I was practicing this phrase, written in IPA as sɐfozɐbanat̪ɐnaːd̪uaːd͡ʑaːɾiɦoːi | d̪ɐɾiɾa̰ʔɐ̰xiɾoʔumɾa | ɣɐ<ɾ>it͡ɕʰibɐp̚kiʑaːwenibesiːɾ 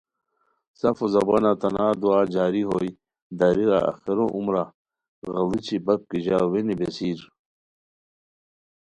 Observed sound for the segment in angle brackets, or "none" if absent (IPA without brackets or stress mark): l